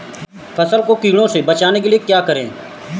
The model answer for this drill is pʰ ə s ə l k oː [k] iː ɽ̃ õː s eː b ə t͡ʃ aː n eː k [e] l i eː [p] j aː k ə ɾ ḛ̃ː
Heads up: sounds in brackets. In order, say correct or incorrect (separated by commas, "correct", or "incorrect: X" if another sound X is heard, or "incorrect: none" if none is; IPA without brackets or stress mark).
correct, correct, incorrect: k